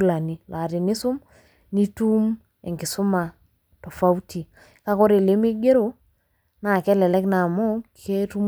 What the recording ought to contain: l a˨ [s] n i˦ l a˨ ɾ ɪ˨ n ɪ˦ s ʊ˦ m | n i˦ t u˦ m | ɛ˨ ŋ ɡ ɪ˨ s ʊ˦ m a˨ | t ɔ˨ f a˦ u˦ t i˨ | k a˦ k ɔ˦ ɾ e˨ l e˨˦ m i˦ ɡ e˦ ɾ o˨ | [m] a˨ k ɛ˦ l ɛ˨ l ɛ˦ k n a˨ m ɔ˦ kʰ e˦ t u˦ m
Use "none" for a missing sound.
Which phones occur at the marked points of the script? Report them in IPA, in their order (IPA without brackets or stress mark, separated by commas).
none, n